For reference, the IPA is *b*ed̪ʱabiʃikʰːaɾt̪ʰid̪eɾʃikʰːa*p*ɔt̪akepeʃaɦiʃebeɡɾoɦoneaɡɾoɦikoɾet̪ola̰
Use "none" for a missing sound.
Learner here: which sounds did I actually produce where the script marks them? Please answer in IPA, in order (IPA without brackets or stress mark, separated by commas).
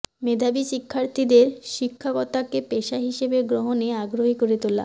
m, k